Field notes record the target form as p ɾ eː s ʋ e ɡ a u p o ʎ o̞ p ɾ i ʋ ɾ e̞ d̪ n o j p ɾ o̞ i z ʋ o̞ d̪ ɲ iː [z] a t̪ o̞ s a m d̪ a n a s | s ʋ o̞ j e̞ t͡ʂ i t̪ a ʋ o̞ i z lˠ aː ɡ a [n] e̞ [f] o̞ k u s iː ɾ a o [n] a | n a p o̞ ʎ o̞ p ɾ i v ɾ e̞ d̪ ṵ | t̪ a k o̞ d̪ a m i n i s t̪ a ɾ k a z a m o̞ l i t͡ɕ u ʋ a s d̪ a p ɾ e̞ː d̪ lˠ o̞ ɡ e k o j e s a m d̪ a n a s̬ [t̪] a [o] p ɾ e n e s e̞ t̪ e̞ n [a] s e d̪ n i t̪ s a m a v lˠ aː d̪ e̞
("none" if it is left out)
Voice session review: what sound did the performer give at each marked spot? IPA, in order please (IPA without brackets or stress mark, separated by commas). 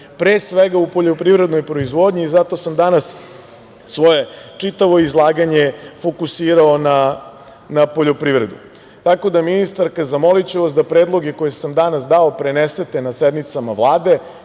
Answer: z, ɲ, f, n, d̪, o, a